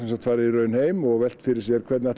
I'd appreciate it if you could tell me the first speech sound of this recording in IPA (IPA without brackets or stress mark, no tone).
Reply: ɛ